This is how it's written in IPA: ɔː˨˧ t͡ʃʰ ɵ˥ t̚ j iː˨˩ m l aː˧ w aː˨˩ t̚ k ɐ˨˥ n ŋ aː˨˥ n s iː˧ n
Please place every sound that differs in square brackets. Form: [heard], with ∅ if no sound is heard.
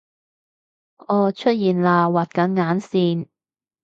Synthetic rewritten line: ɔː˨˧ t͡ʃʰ ɵ˥ t̚ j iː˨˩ [n] l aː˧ w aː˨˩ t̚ k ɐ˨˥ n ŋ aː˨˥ n s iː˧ n